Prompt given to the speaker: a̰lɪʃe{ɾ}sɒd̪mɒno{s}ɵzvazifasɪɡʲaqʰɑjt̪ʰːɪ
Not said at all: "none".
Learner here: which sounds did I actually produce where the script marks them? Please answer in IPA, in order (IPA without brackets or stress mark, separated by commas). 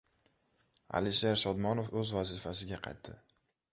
ɾ, f